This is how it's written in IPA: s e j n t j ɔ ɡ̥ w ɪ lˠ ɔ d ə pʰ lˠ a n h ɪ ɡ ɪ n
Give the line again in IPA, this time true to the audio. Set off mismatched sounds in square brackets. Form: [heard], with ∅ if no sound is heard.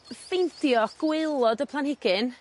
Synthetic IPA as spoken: [f] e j n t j ɔ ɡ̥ w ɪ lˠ ɔ d ə pʰ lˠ a n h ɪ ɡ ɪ n